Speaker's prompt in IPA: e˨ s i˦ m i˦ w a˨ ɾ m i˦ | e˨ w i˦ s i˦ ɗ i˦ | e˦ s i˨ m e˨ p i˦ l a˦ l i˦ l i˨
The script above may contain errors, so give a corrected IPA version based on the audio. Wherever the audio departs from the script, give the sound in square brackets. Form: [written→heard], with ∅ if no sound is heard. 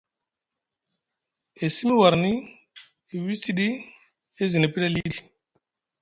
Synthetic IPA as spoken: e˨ s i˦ m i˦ w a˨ ɾ [m→n] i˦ | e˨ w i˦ s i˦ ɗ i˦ | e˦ [s→z] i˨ [m→n] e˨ p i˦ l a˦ l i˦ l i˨